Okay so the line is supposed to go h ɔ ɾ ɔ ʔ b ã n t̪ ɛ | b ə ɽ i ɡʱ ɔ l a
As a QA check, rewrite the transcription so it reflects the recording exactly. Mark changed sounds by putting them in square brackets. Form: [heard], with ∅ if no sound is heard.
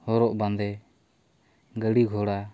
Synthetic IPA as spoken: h ɔ ɾ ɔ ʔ b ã n [d̪] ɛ | [ɡ] ə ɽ i ɡʱ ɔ [ɽ] a